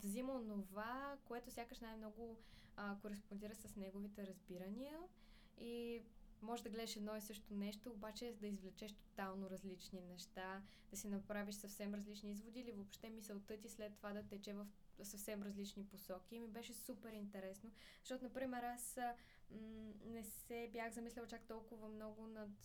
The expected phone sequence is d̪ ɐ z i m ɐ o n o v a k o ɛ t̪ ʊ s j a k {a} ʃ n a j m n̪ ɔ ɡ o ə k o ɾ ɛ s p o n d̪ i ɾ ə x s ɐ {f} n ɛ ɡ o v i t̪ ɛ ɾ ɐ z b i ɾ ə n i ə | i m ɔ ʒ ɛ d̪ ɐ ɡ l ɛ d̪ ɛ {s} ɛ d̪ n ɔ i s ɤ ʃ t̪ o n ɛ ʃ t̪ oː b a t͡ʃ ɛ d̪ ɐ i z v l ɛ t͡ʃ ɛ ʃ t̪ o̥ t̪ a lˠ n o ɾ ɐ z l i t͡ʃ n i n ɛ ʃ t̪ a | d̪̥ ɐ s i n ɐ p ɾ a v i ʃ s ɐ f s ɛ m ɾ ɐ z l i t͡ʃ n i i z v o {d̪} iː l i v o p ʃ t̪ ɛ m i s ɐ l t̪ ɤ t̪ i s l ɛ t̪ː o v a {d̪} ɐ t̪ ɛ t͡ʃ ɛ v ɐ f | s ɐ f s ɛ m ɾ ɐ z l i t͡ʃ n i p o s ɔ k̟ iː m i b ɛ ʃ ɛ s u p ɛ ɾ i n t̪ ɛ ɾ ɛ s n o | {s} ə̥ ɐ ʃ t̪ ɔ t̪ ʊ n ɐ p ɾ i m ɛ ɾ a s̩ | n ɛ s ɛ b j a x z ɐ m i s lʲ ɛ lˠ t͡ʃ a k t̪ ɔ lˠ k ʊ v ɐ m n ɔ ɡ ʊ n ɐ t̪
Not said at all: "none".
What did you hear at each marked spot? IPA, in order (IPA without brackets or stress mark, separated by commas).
ə, s, ʃ, d̪, d̪, z